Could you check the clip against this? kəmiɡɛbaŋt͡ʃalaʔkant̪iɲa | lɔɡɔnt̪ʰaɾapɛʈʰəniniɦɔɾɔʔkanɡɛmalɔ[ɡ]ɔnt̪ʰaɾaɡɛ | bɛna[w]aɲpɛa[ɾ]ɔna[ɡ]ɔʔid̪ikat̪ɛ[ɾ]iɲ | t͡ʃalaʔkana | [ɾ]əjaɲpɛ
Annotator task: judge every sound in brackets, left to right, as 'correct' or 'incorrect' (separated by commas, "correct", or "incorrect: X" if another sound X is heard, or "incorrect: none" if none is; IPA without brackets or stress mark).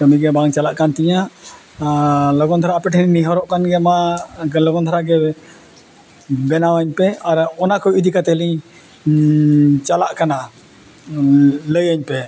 correct, correct, correct, incorrect: k, incorrect: l, incorrect: l